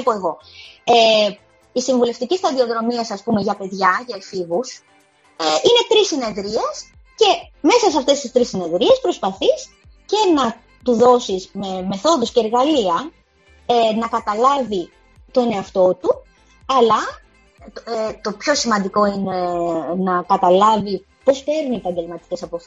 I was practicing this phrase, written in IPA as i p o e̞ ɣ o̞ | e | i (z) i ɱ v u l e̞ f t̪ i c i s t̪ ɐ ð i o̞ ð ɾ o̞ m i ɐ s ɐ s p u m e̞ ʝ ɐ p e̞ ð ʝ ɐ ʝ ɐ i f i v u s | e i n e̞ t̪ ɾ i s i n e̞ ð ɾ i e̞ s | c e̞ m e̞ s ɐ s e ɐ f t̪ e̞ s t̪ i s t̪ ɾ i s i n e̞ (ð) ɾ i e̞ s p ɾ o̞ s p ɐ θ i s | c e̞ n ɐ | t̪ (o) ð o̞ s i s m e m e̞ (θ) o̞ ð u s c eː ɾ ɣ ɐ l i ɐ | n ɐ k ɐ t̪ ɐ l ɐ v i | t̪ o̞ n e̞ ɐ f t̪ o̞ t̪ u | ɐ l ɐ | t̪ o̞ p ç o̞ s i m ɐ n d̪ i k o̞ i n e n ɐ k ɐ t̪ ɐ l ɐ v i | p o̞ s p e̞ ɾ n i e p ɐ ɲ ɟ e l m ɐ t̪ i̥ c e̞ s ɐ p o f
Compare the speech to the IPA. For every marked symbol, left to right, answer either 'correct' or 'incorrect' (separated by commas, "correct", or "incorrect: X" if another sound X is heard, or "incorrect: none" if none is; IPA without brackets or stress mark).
incorrect: s, correct, incorrect: u, correct